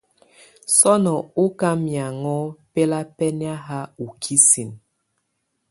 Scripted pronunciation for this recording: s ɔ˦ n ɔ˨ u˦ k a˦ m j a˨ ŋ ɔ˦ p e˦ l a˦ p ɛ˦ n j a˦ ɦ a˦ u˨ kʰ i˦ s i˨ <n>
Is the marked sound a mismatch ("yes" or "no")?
no